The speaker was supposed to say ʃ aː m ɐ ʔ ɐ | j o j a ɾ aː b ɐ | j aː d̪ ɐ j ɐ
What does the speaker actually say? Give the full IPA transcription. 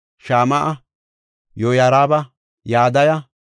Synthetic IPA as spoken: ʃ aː m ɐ ʔ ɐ | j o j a ɾ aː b ɐ | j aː d̪ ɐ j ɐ